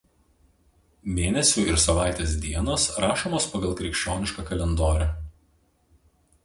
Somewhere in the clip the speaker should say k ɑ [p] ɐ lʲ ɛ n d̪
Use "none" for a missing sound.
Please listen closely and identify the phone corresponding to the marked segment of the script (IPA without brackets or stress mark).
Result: k